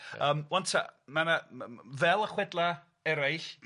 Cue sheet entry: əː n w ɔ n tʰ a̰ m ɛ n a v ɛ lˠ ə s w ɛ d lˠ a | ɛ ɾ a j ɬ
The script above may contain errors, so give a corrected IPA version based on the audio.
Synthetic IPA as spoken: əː m w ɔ n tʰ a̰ m a n a v ɛ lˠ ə χ w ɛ d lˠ a | ɛ ɾ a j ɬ